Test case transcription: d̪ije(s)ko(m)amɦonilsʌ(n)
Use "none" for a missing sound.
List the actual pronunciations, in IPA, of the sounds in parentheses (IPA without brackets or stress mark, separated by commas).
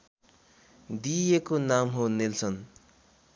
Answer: none, n, n